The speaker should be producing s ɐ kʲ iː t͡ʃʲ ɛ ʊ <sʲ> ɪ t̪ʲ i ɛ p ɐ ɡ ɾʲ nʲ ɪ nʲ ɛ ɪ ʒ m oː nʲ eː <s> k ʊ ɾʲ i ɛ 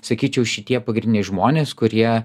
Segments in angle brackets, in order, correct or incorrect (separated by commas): incorrect, correct